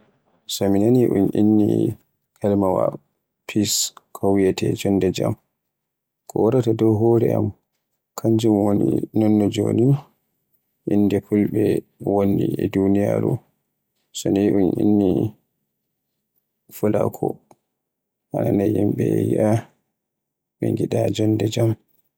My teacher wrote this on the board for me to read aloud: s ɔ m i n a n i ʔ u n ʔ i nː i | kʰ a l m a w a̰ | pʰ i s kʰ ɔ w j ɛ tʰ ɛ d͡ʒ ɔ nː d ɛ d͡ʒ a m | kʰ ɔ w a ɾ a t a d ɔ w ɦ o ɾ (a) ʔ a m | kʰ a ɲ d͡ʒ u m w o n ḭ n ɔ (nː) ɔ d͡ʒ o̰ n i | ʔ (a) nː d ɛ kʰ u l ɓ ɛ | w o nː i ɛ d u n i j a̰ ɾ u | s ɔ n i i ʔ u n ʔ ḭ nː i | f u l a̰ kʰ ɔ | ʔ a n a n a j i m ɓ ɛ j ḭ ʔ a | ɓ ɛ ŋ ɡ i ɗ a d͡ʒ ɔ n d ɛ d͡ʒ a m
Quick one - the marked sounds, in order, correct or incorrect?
incorrect, correct, incorrect

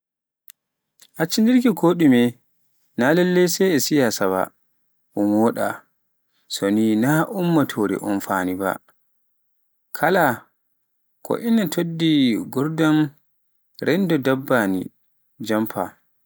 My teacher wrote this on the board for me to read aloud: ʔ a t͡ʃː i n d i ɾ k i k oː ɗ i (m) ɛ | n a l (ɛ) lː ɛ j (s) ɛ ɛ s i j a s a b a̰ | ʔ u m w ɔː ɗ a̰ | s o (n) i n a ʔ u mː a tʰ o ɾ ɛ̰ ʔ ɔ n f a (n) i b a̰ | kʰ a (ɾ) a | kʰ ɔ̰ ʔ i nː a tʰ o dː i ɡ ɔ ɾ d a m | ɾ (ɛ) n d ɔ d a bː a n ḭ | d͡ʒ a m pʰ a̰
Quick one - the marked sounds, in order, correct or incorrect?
correct, correct, correct, correct, correct, incorrect, correct

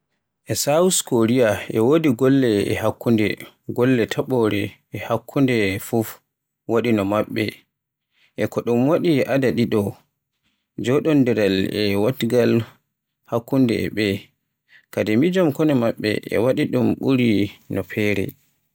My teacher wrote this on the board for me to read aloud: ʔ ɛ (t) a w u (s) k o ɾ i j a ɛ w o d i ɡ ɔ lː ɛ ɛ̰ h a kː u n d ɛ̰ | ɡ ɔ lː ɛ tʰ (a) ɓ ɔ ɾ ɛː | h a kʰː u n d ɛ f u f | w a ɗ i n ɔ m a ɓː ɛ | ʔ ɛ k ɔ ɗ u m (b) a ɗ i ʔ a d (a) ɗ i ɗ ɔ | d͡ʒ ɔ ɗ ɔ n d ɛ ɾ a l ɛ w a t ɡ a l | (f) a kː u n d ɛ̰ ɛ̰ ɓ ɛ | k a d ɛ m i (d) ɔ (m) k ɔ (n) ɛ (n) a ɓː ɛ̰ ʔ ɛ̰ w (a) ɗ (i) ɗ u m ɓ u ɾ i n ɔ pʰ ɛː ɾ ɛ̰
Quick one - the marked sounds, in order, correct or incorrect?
incorrect, correct, correct, incorrect, correct, incorrect, incorrect, correct, correct, incorrect, correct, correct

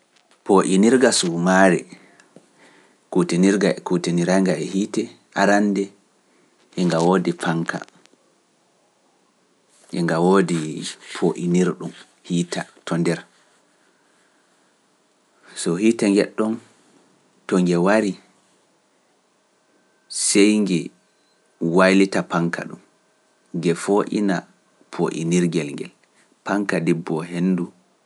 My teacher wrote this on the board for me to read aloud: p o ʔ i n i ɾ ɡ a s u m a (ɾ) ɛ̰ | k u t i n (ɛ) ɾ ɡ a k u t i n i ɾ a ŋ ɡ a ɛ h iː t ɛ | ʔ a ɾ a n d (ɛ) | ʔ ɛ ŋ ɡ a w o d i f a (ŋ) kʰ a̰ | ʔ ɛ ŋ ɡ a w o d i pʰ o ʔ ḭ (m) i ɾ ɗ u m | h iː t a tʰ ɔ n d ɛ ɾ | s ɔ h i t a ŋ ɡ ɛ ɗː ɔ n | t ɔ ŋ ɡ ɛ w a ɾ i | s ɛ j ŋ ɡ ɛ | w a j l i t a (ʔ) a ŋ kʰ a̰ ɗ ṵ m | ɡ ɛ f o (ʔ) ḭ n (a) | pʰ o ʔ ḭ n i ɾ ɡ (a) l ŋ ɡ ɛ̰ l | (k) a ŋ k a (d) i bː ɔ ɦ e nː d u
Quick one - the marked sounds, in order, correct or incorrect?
correct, incorrect, correct, correct, incorrect, incorrect, correct, correct, incorrect, incorrect, correct

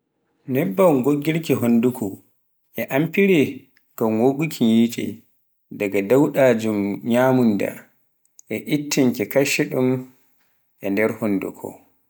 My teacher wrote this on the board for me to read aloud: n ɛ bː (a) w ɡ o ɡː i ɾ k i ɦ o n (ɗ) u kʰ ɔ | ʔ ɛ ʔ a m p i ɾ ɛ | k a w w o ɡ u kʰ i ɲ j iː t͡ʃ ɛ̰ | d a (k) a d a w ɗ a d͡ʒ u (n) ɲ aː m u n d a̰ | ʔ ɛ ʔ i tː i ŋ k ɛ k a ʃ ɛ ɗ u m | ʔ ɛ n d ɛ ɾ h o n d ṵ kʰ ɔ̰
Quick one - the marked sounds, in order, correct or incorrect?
correct, incorrect, incorrect, incorrect

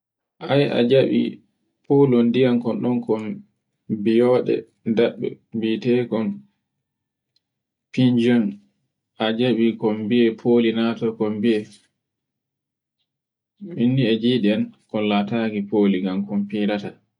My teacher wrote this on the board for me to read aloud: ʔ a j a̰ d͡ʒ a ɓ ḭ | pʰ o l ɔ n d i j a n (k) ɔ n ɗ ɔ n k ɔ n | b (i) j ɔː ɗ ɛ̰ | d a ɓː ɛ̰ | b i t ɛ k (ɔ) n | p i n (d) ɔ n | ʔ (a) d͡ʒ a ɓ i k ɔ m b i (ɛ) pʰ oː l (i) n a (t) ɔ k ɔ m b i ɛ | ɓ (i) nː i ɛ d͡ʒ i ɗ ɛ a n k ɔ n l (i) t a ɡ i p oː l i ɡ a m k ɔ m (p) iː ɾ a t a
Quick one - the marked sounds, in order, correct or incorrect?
correct, correct, correct, incorrect, correct, correct, correct, correct, correct, incorrect, correct

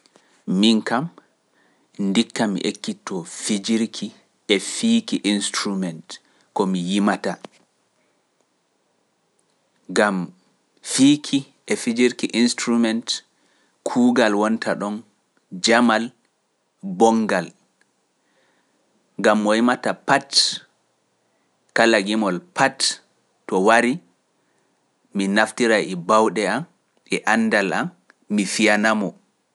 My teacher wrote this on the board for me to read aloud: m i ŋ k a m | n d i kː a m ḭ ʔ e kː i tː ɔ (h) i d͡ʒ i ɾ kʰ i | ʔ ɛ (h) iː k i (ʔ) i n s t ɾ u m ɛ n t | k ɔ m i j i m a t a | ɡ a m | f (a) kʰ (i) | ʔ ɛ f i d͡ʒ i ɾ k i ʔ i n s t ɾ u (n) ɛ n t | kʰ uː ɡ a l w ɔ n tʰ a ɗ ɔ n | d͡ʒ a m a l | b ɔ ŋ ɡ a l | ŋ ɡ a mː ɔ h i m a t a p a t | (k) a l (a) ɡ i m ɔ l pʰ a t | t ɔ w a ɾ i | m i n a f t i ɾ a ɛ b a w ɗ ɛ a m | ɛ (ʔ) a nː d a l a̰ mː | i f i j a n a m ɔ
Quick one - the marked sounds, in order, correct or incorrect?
incorrect, incorrect, correct, incorrect, correct, incorrect, correct, correct, correct

